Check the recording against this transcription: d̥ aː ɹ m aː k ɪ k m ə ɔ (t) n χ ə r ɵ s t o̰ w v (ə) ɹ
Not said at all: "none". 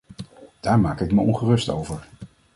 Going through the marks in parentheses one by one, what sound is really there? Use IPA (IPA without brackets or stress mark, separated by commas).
none, ə